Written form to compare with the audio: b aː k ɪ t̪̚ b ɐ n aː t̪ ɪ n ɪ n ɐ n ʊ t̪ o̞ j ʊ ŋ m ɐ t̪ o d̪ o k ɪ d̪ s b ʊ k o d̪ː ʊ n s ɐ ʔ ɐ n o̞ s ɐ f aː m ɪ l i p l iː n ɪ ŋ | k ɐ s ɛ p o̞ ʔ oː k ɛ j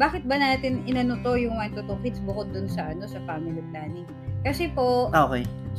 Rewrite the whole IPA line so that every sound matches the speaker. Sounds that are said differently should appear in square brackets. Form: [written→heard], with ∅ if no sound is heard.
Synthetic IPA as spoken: b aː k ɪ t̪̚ b ɐ n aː t̪ ɪ n ɪ n ɐ n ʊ t̪ o̞ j ʊ ŋ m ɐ t̪ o [d̪→t̪] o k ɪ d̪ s b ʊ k o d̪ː ʊ n s ɐ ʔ ɐ n o̞ s ɐ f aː m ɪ l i p l [iː→aː] n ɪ ŋ | k ɐ s ɛ p o̞ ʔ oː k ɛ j